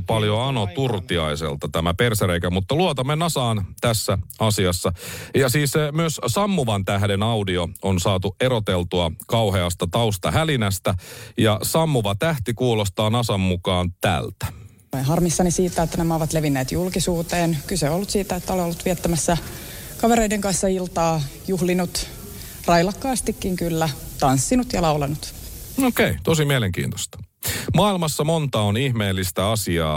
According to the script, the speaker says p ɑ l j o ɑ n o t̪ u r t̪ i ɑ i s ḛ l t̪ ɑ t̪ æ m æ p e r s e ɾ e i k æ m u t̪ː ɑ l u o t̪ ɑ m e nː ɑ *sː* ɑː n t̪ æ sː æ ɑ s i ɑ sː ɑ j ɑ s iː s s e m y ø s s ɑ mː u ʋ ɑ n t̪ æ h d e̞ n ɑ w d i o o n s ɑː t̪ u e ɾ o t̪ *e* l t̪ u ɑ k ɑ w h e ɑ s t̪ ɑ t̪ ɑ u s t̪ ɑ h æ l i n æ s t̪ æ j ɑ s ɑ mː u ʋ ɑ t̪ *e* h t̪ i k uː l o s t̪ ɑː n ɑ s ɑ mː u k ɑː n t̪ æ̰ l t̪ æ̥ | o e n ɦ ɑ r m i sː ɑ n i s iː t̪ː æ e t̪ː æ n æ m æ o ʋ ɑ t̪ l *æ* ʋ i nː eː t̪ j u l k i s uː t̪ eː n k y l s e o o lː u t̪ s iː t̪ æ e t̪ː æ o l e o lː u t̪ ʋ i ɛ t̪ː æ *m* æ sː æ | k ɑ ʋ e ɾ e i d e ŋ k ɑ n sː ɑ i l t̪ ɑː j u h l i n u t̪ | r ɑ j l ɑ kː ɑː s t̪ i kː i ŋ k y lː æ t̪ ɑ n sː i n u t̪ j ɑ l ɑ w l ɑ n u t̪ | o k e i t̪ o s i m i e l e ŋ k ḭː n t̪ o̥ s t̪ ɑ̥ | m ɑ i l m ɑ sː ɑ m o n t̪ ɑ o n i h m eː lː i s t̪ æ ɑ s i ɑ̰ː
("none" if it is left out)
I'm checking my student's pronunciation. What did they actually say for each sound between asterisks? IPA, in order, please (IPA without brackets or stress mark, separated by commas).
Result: s, e, æ, e, m